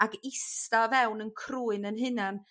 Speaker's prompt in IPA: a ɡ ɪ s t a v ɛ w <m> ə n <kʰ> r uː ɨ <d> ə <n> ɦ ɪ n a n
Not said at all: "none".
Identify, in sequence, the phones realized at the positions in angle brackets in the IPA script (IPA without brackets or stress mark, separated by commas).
n, kʰ, n, n